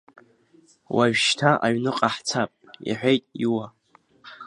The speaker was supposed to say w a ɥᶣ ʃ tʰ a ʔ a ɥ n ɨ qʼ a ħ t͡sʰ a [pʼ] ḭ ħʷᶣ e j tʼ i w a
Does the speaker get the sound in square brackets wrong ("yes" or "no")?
no